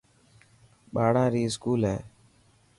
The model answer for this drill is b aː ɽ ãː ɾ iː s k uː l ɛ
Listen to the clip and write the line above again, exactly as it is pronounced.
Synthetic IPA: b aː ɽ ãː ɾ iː s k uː l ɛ